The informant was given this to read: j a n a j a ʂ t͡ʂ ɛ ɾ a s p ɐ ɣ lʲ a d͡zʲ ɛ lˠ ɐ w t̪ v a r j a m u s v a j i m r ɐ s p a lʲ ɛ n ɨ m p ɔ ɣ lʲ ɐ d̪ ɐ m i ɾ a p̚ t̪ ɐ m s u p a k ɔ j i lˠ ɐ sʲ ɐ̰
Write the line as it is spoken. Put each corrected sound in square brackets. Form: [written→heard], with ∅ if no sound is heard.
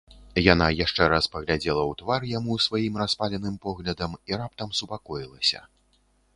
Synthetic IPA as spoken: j a n a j a ʂ t͡ʂ ɛ ɾ a s p ɐ ɣ lʲ a d͡zʲ ɛ lˠ ɐ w t̪ v a r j a m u s v a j i m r [ɐ→a] s p a lʲ ɛ n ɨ m p ɔ ɣ lʲ ɐ d̪ ɐ m i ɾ a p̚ t̪ ɐ m s u p a k ɔ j i lˠ ɐ sʲ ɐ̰

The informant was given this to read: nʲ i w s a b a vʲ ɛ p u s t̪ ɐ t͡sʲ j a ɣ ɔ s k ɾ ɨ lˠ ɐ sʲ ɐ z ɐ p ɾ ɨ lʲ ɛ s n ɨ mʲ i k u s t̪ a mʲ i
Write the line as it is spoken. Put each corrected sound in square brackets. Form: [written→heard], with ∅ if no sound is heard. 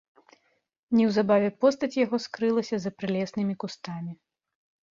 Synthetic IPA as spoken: nʲ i w [s→z] a b a vʲ ɛ p [u→ɔ] s t̪ ɐ t͡sʲ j a ɣ ɔ s k ɾ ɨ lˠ ɐ sʲ ɐ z ɐ p ɾ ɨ lʲ ɛ s n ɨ mʲ i k u s t̪ a mʲ i

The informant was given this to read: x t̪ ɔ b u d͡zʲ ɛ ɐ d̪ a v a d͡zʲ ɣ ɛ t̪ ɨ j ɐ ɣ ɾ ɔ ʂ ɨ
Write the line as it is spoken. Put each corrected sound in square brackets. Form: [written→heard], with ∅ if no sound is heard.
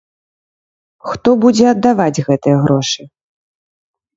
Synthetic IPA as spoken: x t̪ ɔ b u d͡zʲ ɛ ɐ [d̪→d̪ː] a v a d͡zʲ ɣ ɛ t̪ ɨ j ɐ ɣ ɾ ɔ ʂ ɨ

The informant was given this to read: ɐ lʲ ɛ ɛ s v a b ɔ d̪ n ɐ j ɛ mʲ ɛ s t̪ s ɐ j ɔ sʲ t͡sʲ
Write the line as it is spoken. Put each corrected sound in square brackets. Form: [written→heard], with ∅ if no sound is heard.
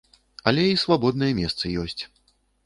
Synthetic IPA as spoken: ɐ lʲ ɛ [ɛ→i] s v a b ɔ d̪ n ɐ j ɛ mʲ ɛ s t̪ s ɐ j ɔ sʲ t͡sʲ

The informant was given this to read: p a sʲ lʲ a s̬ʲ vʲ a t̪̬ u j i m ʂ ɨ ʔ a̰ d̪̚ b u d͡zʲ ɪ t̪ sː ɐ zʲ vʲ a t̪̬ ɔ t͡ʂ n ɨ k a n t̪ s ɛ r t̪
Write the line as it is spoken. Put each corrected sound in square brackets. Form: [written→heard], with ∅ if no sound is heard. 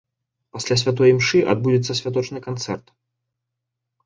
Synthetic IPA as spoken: p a sʲ lʲ a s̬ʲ vʲ a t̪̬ [u→ɔ] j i m ʂ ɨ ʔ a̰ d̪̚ b u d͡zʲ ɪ t̪ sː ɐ [zʲ→sʲ] vʲ a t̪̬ ɔ t͡ʂ n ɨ k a n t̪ s ɛ r t̪

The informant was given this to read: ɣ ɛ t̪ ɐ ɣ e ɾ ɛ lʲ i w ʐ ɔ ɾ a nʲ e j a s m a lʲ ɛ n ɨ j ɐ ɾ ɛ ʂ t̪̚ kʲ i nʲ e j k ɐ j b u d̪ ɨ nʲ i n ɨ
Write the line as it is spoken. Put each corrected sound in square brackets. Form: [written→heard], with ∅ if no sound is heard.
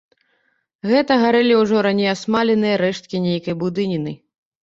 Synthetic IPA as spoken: ɣ ɛ t̪ ɐ ɣ [e→a] ɾ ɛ lʲ i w ʐ ɔ ɾ a nʲ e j a s m a lʲ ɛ n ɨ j ɐ ɾ ɛ ʂ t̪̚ kʲ i nʲ e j k ɐ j b u d̪ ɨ nʲ i n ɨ

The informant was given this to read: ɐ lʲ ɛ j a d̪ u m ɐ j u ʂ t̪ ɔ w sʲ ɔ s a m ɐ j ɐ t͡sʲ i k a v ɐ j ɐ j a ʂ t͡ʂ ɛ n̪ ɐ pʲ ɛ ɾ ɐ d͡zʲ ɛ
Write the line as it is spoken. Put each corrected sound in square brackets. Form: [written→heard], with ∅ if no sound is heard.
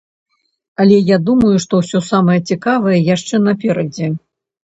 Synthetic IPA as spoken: ɐ lʲ ɛ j a d̪ u m ɐ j u ʂ t̪ ɔ w sʲ ɔ s a m ɐ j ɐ t͡sʲ i k a v ɐ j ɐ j a ʂ t͡ʂ ɛ n̪ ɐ pʲ ɛ ɾ ɐ d͡zʲ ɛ

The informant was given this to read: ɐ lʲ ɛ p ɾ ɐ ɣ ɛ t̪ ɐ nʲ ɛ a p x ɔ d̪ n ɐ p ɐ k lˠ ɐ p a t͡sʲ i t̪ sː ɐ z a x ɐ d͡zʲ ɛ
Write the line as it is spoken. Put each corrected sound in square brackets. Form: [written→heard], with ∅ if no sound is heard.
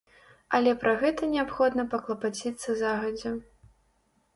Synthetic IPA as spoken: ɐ lʲ ɛ p ɾ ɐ ɣ ɛ t̪ ɐ nʲ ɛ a p x ɔ d̪ n ɐ p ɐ k lˠ ɐ p a t͡sʲ i t̪ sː ɐ z a [x→ɣ] ɐ d͡zʲ ɛ

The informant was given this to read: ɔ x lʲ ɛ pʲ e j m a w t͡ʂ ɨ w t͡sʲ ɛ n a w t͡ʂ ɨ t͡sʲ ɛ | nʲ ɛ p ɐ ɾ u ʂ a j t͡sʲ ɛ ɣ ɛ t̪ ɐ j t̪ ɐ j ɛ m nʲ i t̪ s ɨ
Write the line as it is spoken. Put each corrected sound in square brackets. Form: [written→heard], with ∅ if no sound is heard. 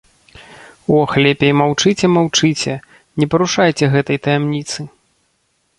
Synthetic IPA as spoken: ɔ x lʲ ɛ pʲ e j m a w t͡ʂ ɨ [w→∅] t͡sʲ ɛ [n→m] a w t͡ʂ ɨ t͡sʲ ɛ | nʲ ɛ p ɐ ɾ u ʂ a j t͡sʲ ɛ ɣ ɛ t̪ ɐ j t̪ ɐ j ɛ m nʲ i t̪ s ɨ

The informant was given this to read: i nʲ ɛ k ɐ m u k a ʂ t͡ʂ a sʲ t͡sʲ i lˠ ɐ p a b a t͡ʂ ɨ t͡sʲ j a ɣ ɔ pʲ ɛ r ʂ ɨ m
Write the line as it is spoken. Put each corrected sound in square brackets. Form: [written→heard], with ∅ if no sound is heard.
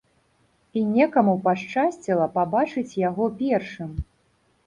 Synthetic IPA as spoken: i nʲ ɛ k ɐ m u [k→p] a ʂ t͡ʂ a sʲ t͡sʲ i lˠ ɐ p a b a t͡ʂ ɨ t͡sʲ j a ɣ ɔ pʲ ɛ r ʂ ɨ m

